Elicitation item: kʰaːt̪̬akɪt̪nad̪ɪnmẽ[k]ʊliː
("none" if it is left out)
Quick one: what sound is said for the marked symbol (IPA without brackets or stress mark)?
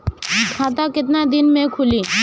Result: kʰ